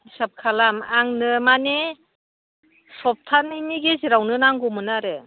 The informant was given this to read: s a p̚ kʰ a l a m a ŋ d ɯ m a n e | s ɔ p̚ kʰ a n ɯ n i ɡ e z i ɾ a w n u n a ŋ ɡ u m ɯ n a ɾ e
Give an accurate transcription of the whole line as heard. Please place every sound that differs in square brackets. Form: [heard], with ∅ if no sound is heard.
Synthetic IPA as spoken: s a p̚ kʰ a l a m a ŋ [n] ɯ m a n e | s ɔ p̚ [tʰ] a n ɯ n i ɡ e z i ɾ a w n [ɯ] n a ŋ ɡ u m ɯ n a ɾ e